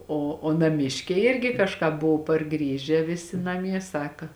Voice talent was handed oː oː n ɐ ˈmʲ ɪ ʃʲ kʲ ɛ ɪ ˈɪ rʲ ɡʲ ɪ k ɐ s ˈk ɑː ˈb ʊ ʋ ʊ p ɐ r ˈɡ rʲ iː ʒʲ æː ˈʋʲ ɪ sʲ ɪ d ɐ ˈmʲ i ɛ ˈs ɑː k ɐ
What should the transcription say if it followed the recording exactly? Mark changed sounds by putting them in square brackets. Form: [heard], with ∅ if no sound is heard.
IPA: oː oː n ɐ ˈmʲ ɪ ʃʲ kʲ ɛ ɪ ˈɪ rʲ ɡʲ ɪ k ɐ [ʃ] ˈk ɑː ˈb ʊ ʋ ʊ p ɐ r ˈɡ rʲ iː ʒʲ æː ˈʋʲ ɪ sʲ ɪ [n] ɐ ˈmʲ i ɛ ˈs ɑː k ɐ